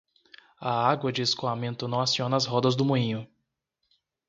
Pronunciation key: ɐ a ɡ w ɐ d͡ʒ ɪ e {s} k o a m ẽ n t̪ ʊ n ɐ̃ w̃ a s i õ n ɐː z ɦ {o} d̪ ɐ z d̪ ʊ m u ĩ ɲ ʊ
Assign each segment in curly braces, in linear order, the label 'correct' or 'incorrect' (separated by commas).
correct, incorrect